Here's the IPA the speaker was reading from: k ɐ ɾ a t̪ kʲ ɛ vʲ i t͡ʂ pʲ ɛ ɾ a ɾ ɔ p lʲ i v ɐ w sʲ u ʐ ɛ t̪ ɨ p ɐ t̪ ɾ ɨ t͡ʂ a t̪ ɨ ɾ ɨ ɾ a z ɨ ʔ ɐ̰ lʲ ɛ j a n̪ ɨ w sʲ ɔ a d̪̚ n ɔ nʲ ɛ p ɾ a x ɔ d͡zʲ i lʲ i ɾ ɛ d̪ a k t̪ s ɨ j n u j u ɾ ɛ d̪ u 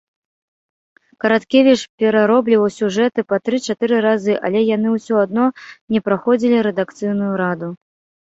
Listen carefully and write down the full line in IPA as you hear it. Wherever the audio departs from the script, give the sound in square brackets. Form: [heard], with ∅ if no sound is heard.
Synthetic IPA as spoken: k ɐ ɾ a t̪ kʲ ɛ vʲ i t͡ʂ pʲ ɛ ɾ a ɾ ɔ [b] lʲ i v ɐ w sʲ u ʐ ɛ t̪ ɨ p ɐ t̪ ɾ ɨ t͡ʂ a t̪ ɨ ɾ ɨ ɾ a z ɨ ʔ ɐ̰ lʲ ɛ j a n̪ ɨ w sʲ ɔ a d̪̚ n ɔ nʲ ɛ p ɾ a x ɔ d͡zʲ i lʲ i ɾ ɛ d̪ a k t̪ s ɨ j n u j u ɾ [a] d̪ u